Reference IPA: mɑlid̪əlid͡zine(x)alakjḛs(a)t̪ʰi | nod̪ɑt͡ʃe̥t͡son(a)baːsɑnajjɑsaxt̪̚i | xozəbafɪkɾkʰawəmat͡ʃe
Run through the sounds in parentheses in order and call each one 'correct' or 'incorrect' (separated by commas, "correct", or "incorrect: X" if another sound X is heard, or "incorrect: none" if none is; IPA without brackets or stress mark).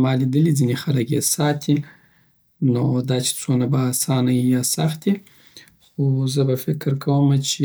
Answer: correct, incorrect: ɑ, correct